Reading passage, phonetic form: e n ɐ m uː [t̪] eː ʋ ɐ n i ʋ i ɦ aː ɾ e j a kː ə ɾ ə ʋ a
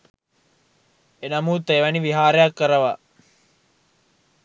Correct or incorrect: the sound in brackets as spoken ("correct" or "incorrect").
correct